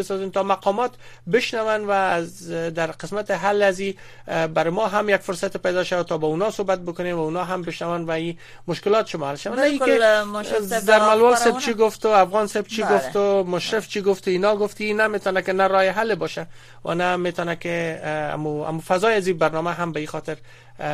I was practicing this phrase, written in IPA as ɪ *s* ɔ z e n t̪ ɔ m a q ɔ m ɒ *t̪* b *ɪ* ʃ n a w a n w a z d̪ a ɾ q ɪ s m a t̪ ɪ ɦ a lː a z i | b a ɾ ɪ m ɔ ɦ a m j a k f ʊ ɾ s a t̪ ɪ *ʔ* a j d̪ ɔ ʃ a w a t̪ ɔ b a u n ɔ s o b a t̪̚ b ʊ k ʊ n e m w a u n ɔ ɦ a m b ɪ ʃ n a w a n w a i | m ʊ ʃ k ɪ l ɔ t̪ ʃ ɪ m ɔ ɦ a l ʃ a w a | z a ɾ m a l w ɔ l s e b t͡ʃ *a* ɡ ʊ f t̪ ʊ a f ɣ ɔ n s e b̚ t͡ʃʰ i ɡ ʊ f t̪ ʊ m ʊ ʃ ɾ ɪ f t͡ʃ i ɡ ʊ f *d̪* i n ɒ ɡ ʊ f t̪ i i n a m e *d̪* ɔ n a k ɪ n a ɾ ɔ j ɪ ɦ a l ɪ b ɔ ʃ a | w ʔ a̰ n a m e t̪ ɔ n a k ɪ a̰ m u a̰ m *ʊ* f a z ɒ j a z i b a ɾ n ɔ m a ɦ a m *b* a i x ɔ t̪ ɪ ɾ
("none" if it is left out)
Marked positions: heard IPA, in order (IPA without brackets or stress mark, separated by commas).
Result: s, t̪, ɪ, p, i, t̪, t̪, u, b